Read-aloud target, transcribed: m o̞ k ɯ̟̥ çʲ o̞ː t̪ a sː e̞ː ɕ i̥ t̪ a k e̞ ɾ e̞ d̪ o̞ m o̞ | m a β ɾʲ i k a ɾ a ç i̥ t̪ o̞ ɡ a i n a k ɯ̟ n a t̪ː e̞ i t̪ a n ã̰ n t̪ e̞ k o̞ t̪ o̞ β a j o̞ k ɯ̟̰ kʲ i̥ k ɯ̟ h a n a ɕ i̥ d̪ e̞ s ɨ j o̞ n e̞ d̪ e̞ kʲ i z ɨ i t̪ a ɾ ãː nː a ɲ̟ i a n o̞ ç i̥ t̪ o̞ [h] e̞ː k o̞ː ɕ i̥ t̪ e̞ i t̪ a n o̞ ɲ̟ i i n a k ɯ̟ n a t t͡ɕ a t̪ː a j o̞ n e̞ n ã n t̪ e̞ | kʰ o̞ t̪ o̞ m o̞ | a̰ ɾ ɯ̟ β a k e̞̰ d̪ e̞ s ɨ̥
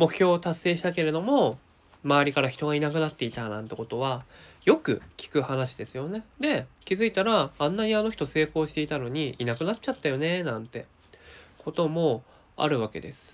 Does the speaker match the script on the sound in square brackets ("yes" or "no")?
no